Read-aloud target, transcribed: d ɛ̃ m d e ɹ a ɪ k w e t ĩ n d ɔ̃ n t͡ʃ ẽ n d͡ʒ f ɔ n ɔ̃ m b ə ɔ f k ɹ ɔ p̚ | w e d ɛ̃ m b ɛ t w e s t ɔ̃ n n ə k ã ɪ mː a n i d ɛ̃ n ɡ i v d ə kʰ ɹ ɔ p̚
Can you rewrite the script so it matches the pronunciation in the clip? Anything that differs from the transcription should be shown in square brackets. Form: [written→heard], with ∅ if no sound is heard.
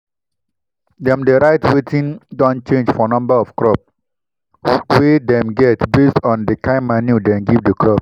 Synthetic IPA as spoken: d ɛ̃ m d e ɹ a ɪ [k→t] w e t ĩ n d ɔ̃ n t͡ʃ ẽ n d͡ʒ f ɔ n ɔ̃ m b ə ɔ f k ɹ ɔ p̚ | w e d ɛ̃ m [b→ɡ] ɛ t [w→b] e s t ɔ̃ n [n→d] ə k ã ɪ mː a n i d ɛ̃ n ɡ i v d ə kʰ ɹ ɔ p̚